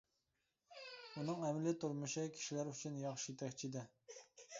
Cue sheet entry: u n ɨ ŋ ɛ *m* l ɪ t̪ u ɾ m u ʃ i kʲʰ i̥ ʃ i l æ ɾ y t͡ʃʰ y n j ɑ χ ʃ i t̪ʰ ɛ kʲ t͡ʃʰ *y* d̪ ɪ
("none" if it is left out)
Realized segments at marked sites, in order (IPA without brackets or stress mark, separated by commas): m, i